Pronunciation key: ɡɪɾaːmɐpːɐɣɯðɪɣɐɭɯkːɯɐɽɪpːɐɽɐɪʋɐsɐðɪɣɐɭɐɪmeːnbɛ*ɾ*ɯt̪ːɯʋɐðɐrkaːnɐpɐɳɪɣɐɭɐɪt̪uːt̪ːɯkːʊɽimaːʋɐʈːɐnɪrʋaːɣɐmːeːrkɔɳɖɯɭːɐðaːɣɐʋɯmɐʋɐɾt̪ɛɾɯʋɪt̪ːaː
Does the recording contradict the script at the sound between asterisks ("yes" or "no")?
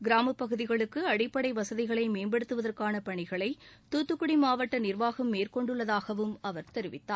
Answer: yes